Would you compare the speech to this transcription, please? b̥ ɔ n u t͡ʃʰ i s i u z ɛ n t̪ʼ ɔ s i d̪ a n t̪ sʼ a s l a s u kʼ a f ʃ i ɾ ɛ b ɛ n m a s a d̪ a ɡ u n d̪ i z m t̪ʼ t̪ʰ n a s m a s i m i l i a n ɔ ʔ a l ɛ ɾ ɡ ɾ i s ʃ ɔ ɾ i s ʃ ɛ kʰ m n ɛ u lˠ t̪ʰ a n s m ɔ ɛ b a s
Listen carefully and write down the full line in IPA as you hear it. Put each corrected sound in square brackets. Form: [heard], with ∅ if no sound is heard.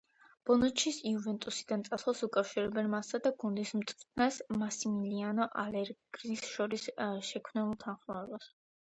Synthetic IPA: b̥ ɔ n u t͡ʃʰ i s i u [v] ɛ n t̪ʼ [u] s i d̪ a n t̪ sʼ a s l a s u kʼ a f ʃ i ɾ ɛ b ɛ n m a s a d̪ a ɡ u n d̪ i [s] m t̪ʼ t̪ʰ n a s m a s i m i l i a n ɔ ʔ a l ɛ ɾ ɡ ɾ i s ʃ ɔ ɾ i s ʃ ɛ kʰ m n ɛ u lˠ t̪ʰ a n [χ] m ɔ ɛ b a s